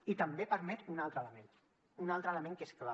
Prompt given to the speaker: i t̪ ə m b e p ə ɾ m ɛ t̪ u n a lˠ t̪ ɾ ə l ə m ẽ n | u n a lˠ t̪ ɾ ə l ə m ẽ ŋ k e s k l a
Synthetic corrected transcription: i t̪ ə m b e p ə ɾ m ɛ t̪ u n a lˠ t̪ ɾ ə l ə m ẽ n | u n a lˠ t̪ ɾ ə l ə m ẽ ŋ k e s k l a